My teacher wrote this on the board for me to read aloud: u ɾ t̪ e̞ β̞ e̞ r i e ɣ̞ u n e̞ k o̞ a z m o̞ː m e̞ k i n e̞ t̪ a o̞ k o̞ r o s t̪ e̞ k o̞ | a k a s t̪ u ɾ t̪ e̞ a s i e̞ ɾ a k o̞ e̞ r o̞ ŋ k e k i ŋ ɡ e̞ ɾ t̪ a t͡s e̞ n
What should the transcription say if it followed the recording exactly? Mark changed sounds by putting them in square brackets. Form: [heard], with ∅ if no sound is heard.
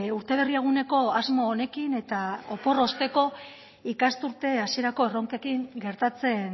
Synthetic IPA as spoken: u ɾ t̪ e̞ β̞ e̞ r i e ɣ̞ u n e̞ k o̞ a z m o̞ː [n] e̞ k i n e̞ t̪ a o̞ [p] o̞ r o s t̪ e̞ k o̞ | [i] k a s t̪ u ɾ t̪ e̞ a s i e̞ ɾ a k o̞ e̞ r o̞ ŋ k e k i ŋ ɡ e̞ ɾ t̪ a t͡s e̞ n